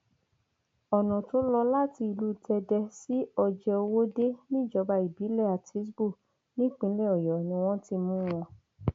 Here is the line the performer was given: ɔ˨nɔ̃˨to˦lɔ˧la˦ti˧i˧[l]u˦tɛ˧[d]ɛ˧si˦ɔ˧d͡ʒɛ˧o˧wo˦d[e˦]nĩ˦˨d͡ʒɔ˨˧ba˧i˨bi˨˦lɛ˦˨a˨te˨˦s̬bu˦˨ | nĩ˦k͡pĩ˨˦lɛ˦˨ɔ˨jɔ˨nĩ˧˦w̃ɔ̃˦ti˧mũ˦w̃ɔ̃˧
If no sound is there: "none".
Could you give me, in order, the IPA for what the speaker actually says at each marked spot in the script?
l, d, e˦

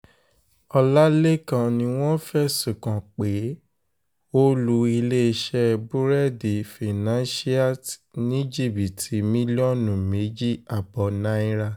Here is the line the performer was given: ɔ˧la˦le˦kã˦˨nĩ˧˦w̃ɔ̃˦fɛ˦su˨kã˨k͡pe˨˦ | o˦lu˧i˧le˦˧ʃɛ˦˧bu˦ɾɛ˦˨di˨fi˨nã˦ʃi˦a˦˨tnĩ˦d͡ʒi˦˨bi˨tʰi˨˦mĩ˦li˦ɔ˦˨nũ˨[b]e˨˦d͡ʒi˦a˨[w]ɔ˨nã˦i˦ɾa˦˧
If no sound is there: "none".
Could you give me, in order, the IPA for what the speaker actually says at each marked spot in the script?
m, b

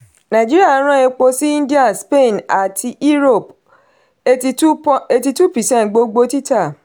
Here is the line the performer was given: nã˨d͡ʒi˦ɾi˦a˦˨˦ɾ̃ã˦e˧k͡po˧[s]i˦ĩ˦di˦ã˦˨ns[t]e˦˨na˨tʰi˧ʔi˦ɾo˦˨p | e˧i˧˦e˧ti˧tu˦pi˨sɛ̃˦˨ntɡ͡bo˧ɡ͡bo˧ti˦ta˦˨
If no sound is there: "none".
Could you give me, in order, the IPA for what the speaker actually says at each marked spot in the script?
s, p

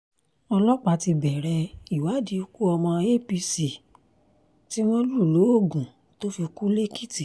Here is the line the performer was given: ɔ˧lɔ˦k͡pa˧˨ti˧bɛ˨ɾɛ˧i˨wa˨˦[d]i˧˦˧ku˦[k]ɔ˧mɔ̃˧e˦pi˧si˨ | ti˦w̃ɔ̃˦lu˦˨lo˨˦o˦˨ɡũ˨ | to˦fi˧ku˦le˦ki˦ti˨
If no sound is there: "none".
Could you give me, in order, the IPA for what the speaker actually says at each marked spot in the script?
d, none

